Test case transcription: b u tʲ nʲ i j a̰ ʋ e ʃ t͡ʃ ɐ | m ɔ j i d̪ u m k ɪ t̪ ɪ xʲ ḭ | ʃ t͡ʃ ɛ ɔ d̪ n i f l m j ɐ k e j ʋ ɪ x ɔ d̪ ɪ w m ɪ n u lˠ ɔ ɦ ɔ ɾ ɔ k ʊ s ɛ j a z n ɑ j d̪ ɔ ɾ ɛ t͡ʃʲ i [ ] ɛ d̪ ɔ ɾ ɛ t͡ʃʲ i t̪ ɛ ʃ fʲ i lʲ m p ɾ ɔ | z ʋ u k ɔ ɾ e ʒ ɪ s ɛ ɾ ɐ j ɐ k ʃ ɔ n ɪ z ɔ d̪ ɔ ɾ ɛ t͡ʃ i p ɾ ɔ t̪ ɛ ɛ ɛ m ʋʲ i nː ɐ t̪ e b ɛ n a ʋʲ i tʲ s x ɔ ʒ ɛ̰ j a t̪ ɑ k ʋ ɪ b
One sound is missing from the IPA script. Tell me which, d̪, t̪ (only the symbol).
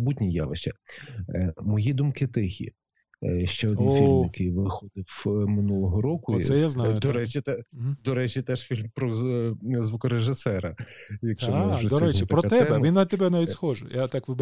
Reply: t̪